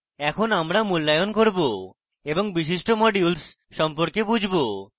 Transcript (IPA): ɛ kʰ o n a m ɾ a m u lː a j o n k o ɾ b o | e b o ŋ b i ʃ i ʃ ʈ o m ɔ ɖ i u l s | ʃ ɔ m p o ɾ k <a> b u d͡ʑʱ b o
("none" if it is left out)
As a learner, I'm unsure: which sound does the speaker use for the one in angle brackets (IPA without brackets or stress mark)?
e